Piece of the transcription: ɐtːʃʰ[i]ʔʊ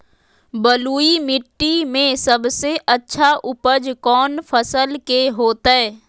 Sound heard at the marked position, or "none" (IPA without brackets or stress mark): a